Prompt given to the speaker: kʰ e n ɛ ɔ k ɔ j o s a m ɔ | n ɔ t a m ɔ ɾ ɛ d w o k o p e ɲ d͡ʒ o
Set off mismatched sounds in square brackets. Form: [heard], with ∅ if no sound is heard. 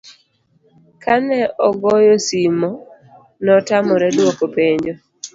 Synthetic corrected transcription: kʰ [a] n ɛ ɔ [ɡ] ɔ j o s [i] m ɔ | n ɔ t a m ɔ ɾ ɛ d w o k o p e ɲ d͡ʒ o